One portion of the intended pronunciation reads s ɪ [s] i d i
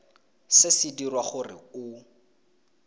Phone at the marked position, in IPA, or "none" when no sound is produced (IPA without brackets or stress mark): s